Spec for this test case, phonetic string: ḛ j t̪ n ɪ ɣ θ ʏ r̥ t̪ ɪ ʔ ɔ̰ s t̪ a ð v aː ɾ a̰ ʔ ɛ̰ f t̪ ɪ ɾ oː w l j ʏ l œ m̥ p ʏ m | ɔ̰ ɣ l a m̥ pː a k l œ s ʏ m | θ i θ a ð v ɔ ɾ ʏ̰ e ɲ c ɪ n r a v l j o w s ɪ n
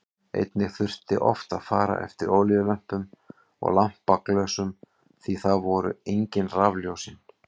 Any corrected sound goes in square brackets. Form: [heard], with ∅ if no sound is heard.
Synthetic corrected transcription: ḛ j t̪ n ɪ ɣ θ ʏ r̥ t̪ ɪ ʔ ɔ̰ [f] t̪ a ð [f] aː ɾ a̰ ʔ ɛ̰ f t̪ ɪ ɾ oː w l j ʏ l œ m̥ p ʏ m | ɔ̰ ɣ l a m̥ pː a k l œ s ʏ m | θ i θ a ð v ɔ ɾ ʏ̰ e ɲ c ɪ n r a v l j o w s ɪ n